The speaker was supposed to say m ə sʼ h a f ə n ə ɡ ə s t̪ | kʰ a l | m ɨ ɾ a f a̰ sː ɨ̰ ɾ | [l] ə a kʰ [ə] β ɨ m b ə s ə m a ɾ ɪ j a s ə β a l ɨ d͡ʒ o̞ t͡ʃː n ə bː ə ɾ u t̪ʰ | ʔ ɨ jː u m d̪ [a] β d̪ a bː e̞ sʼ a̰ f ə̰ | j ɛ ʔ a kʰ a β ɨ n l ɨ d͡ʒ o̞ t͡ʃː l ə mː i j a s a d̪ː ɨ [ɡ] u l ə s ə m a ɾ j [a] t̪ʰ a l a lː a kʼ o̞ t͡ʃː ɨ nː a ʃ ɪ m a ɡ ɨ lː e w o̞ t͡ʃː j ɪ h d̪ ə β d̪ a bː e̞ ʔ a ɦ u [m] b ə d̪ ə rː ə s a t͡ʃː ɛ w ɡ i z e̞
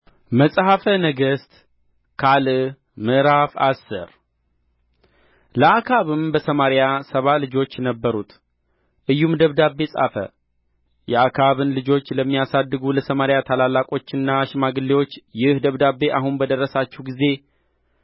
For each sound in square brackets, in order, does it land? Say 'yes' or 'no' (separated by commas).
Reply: yes, no, no, yes, yes, no